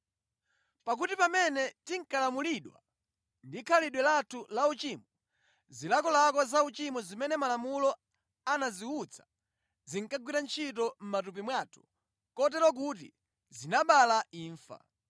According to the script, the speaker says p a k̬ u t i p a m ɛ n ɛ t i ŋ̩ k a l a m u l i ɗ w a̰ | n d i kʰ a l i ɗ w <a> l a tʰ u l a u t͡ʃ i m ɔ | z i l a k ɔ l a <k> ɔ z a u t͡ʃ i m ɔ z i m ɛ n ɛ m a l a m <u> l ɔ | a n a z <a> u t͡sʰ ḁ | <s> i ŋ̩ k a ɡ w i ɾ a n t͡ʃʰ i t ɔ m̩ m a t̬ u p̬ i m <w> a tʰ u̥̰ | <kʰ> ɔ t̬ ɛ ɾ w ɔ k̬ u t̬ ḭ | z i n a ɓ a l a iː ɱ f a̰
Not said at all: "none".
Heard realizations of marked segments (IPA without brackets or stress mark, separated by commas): ɛ, k, u, i, z, w, k